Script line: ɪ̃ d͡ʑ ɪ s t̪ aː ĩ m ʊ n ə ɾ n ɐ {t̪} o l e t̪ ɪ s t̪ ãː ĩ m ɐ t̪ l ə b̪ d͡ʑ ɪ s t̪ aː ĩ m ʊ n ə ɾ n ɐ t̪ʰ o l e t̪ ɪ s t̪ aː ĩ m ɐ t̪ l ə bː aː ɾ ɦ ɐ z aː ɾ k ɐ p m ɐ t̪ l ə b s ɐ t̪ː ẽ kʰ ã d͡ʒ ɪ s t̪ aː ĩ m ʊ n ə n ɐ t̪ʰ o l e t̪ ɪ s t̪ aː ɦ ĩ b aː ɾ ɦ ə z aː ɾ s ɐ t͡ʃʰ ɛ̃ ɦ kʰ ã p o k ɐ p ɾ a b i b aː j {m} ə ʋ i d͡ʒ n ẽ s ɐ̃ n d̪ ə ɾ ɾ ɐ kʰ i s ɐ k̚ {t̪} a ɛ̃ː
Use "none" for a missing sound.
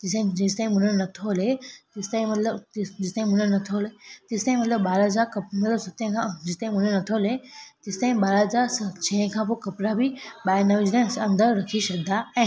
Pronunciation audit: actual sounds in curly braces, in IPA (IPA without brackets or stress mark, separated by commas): t̪ʰ, n, d̪